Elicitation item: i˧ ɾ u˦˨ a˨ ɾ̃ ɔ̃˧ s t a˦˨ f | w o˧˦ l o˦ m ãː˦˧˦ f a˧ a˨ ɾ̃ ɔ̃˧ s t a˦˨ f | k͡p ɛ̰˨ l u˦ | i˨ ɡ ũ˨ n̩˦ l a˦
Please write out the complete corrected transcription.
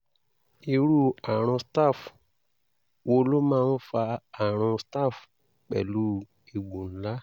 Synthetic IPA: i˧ ɾ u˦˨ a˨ ɾ̃ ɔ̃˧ s t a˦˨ f | w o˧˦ l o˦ m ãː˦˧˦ f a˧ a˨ ɾ̃ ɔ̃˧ s t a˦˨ f | k͡p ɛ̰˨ l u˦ | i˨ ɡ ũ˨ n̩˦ l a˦